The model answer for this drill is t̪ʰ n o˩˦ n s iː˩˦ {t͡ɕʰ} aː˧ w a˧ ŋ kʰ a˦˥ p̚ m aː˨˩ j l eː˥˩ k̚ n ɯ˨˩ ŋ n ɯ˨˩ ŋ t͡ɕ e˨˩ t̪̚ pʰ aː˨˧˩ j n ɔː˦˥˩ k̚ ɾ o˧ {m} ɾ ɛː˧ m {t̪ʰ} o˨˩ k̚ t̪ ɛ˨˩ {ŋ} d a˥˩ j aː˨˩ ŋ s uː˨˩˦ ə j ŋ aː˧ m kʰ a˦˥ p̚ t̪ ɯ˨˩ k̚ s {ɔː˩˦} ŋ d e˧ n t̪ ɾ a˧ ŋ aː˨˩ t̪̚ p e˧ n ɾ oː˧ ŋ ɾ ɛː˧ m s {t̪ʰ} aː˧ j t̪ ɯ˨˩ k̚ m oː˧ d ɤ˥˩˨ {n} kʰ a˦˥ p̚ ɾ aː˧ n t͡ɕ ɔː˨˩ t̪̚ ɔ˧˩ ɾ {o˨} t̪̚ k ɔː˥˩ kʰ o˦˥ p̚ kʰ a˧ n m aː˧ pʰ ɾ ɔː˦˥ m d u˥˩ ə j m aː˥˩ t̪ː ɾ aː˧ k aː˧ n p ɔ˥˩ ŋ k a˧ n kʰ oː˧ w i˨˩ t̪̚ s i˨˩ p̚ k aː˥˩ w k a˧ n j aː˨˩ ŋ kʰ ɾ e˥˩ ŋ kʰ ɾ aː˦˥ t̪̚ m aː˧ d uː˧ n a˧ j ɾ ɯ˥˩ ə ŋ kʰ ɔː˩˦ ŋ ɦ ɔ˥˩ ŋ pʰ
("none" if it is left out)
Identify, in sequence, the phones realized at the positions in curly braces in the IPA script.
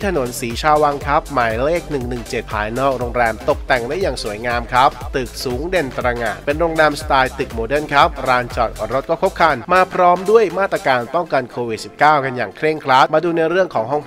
t͡ɕʰ, ŋ, t̪, ŋ, uː˩˦, t̪, n, o˦˥

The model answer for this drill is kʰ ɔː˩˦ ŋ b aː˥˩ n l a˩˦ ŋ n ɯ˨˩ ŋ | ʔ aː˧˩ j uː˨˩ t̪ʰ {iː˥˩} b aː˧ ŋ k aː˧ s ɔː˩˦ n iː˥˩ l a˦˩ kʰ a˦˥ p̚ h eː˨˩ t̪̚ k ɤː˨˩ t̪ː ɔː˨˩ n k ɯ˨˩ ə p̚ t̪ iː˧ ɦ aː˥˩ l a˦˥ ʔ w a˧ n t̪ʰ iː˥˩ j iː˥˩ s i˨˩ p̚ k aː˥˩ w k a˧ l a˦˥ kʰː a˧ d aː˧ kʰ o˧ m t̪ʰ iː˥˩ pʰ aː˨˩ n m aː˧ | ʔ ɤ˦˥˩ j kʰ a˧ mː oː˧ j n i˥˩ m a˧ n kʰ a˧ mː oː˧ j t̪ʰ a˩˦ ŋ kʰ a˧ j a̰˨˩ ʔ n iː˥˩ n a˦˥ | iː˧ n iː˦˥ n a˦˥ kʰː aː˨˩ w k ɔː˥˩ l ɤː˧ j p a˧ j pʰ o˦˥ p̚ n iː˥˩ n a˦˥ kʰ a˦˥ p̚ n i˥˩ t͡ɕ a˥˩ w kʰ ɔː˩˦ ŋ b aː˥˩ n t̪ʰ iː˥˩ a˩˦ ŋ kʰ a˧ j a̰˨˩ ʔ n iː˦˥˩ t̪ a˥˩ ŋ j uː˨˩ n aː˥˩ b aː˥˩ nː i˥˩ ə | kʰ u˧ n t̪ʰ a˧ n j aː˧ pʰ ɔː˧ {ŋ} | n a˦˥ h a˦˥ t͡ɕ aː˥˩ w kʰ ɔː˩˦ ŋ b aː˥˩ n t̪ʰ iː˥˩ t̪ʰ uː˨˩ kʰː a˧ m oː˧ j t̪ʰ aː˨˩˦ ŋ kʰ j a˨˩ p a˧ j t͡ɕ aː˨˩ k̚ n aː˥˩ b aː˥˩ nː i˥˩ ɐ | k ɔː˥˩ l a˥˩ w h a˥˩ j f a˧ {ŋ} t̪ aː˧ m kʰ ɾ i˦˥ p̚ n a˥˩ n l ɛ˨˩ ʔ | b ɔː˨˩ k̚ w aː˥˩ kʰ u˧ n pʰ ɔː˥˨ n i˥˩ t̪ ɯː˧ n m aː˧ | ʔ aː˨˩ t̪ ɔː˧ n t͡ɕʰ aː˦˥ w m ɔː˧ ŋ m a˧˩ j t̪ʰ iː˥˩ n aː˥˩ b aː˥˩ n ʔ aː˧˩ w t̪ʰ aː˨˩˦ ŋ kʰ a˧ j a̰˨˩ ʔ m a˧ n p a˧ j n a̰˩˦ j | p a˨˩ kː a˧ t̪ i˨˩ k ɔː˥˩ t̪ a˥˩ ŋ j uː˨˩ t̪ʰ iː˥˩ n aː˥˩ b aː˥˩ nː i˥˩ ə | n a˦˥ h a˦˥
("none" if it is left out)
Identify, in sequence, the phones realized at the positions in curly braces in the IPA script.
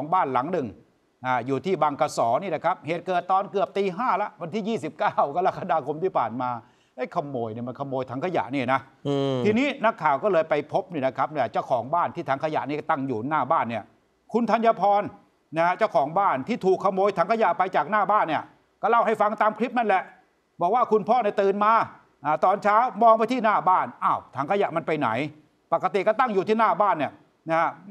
iː˥˩, n, ŋ

